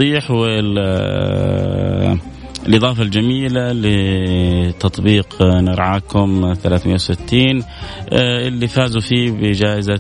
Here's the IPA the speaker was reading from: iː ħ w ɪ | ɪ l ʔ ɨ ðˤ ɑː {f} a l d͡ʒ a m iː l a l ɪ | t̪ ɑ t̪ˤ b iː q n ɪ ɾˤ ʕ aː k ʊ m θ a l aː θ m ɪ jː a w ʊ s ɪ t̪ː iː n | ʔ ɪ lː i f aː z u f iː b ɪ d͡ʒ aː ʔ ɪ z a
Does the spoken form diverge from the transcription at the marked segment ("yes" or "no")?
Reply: no